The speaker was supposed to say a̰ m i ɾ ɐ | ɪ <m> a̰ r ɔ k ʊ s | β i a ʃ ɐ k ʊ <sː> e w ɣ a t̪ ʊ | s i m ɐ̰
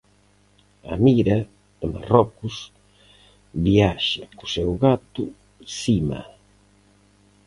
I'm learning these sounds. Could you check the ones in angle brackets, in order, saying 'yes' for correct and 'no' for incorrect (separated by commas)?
yes, no